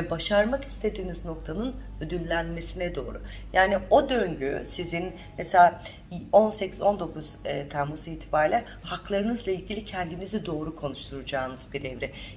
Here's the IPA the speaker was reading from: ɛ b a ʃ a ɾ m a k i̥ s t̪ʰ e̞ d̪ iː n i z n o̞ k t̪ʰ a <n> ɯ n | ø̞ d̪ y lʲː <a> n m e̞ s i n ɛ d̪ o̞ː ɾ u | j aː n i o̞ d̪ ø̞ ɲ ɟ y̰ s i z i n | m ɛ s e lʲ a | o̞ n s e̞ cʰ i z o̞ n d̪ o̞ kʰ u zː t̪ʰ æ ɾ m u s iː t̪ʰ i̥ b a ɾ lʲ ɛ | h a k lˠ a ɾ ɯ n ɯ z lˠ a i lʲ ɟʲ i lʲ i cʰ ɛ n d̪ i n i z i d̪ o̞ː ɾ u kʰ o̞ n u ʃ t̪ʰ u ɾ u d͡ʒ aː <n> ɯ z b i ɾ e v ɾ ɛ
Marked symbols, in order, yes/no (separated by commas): yes, no, yes